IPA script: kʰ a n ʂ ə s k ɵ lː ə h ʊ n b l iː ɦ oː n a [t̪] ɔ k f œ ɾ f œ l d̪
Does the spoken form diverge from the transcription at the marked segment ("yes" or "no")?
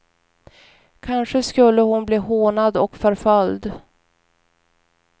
yes